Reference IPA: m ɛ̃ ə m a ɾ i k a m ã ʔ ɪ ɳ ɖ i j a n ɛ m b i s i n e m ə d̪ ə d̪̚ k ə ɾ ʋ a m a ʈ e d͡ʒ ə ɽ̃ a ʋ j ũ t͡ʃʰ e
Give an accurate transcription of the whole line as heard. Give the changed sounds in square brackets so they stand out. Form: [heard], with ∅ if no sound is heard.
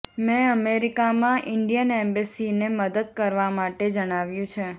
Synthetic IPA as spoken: m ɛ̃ ə m [e] ɾ i k a m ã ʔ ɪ ɳ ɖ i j [ə] n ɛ m b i s i n e m ə d̪ ə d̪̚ k ə ɾ ʋ a m a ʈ e d͡ʒ ə ɽ̃ a ʋ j ũ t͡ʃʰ e